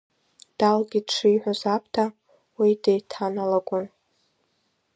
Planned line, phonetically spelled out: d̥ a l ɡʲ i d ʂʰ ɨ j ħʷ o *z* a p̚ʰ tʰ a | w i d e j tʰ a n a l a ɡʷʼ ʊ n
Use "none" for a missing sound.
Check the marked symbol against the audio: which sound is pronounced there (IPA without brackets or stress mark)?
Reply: z